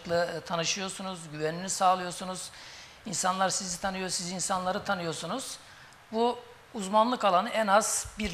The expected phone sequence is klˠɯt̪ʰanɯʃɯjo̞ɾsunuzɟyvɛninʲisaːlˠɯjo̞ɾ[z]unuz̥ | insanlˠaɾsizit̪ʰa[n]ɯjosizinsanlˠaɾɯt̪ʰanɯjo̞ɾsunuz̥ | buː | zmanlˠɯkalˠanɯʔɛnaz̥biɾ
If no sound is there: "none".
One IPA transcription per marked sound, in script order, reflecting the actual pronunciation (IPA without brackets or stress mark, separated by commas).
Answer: s, n